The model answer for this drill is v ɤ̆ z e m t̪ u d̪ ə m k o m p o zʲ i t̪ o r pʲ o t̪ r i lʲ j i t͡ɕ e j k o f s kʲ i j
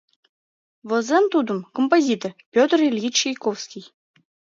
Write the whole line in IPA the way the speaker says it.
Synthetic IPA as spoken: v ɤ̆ z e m t̪ u d̪ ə m k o m p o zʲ i t̪ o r pʲ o t̪ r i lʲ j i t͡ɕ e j k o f s kʲ i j